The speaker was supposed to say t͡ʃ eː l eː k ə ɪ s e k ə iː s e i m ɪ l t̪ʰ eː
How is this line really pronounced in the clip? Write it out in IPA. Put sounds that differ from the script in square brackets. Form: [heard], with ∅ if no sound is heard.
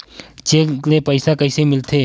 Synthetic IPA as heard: t͡ʃ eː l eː [p] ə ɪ s [a] k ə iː s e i m ɪ l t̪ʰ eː